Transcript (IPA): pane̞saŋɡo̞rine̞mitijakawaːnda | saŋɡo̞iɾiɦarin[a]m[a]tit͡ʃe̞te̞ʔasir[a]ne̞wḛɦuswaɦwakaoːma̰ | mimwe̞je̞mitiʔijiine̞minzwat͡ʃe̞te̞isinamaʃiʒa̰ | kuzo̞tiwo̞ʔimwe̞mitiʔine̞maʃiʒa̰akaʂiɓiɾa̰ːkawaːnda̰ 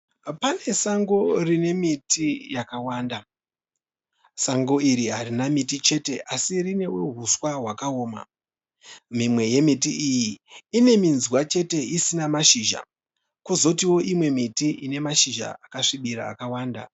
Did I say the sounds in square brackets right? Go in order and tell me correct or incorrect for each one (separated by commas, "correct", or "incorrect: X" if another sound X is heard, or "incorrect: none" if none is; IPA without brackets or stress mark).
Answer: correct, incorrect: i, incorrect: i